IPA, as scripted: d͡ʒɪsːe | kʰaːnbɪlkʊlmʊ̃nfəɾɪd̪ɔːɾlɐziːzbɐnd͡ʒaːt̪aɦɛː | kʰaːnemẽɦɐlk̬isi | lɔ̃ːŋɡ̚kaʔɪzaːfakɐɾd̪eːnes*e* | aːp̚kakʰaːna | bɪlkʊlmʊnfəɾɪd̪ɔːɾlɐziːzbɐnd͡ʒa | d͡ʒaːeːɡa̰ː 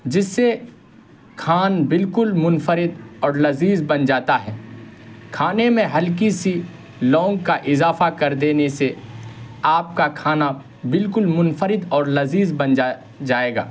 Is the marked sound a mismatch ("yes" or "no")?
no